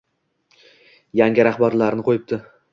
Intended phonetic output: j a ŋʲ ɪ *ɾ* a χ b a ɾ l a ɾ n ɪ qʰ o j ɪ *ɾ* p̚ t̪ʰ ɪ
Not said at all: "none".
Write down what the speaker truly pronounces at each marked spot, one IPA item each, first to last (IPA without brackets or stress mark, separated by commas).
ɾ, none